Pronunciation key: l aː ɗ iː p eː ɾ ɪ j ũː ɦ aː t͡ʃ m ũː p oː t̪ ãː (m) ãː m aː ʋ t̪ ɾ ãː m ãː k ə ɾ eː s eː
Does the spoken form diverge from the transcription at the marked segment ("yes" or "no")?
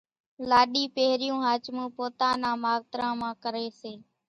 yes